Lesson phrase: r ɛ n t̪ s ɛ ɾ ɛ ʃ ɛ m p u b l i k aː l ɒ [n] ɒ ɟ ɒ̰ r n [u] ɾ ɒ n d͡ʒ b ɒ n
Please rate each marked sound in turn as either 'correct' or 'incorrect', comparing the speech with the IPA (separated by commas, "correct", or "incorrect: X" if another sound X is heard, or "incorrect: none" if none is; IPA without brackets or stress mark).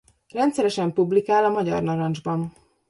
incorrect: m, incorrect: ɒ